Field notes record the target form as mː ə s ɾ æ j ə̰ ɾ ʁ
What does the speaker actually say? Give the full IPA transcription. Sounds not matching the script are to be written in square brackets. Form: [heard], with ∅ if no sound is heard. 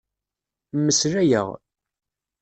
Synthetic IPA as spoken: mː ə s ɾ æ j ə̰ [∅] ʁ